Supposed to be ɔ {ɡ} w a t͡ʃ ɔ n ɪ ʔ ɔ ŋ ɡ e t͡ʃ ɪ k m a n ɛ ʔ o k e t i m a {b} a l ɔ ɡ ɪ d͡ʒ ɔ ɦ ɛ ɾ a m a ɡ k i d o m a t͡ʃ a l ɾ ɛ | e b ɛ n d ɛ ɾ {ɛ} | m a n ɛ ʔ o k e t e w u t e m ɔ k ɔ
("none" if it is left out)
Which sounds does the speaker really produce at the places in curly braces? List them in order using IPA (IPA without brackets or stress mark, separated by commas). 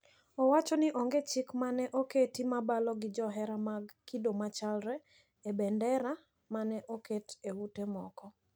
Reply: none, b, a